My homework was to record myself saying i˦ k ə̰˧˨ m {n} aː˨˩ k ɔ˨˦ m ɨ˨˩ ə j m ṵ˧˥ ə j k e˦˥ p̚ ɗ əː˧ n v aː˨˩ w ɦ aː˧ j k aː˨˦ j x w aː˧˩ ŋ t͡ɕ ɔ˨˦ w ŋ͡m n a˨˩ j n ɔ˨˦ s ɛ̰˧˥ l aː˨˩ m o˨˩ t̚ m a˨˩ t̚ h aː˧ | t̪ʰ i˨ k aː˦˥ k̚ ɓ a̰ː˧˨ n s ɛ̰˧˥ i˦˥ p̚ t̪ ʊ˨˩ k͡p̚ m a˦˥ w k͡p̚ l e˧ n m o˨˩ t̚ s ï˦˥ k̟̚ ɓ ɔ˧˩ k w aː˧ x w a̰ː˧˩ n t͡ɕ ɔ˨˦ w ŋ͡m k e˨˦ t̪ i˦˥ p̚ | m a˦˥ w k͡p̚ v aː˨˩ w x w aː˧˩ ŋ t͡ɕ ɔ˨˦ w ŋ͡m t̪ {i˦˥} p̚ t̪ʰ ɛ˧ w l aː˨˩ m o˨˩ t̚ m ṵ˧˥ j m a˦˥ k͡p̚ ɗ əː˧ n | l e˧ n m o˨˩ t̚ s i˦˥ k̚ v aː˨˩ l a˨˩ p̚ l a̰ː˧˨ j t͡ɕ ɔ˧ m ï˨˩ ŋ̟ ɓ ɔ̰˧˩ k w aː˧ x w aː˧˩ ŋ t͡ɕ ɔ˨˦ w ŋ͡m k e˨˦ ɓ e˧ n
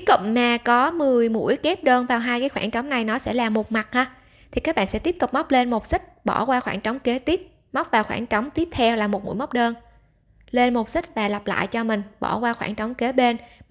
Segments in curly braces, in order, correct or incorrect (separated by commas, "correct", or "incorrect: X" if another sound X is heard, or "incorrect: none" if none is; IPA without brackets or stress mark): incorrect: m, correct